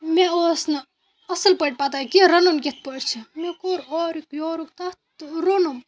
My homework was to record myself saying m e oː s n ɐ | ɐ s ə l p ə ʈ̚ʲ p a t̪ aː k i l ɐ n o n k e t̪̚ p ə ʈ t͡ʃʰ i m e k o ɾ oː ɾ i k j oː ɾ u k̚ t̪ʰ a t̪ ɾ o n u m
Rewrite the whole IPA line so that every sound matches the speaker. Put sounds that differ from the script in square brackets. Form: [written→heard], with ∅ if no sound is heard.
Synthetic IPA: m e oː s n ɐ | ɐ s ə l p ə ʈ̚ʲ p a t̪ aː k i [l→ɾ] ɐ n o n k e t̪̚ p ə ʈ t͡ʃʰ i m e k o ɾ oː ɾ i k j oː ɾ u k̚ [t̪ʰ→t̪] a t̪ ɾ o n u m